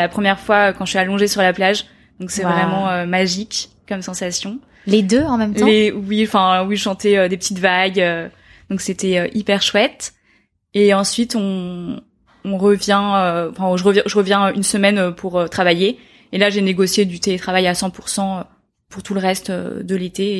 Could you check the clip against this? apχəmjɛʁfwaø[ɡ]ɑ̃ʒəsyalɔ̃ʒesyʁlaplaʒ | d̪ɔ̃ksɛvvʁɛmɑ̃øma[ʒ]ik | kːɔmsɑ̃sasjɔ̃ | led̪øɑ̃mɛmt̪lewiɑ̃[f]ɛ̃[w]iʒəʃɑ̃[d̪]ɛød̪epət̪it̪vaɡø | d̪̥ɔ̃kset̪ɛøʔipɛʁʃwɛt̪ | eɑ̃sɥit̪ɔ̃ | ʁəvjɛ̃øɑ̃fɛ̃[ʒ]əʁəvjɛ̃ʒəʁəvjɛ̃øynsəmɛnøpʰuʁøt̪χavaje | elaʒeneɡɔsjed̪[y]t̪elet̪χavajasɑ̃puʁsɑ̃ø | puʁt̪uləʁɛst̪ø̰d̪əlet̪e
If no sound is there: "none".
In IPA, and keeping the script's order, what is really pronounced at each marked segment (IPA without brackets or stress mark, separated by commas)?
k, ʒ, f, w, t̪, ʒ, y